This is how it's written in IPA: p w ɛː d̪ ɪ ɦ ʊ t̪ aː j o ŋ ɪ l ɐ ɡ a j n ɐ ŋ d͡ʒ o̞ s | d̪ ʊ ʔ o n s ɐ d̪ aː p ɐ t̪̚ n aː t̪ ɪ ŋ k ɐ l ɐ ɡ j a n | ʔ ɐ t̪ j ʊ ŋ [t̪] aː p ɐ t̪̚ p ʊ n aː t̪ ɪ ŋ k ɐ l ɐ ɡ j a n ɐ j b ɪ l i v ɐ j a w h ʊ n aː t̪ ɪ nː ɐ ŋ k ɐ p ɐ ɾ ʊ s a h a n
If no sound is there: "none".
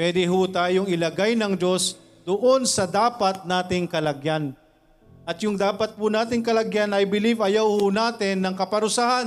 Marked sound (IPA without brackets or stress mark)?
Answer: d̪